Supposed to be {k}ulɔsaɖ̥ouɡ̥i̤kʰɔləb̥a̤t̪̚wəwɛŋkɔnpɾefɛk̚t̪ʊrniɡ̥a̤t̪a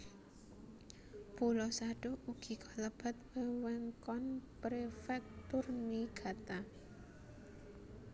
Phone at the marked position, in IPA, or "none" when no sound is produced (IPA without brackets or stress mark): p